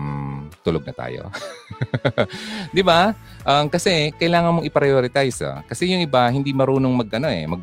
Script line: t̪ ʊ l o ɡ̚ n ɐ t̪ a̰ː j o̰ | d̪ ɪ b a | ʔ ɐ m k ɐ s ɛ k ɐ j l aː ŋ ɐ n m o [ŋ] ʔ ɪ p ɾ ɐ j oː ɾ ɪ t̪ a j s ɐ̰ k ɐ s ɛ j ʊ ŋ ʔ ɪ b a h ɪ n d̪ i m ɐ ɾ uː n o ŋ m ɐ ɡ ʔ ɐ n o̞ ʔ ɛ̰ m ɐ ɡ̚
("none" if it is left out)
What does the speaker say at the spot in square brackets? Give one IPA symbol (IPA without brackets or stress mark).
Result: ŋ